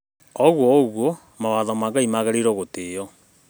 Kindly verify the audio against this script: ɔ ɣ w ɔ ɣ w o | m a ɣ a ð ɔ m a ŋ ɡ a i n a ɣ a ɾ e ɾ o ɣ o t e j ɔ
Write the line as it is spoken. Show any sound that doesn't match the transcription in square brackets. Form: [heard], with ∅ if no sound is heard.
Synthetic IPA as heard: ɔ ɣ w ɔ ɣ w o | m a [w] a ð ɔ m a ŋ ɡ a i [m] a ɣ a ɾ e ɾ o ɣ o t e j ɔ